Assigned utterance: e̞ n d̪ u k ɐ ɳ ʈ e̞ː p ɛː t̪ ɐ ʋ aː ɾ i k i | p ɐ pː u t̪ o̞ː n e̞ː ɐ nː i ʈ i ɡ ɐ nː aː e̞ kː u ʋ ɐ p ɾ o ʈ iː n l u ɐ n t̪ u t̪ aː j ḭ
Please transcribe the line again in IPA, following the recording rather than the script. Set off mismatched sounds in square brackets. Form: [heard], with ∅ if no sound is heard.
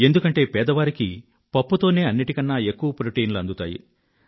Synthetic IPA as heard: e̞ n d̪ u k ɐ ɳ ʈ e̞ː p ɛː [d̪] ɐ ʋ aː ɾ i k i | p ɐ pː u t̪ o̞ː n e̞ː ɐ nː i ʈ i [k] ɐ nː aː e̞ kː u ʋ ɐ p ɾ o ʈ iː n l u ɐ n [d̪] u t̪ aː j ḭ